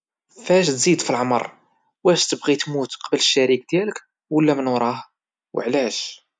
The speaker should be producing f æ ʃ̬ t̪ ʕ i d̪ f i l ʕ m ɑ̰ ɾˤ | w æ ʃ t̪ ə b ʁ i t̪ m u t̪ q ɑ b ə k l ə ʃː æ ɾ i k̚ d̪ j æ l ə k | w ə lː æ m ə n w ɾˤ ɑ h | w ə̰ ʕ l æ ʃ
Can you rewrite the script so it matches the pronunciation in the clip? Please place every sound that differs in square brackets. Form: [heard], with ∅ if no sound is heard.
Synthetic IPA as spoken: f æ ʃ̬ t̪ [z] i d̪ f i l ʕ m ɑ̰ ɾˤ | w æ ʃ t̪ ə b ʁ i t̪ m u t̪ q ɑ b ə [∅] l ə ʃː æ ɾ i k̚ d̪ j æ l ə k | w ə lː æ m ə n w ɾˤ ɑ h | w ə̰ ʕ l æ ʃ